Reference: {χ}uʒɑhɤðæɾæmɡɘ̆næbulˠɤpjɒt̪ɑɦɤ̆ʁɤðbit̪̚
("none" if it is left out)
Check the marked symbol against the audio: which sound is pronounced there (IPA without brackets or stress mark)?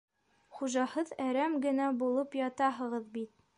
χ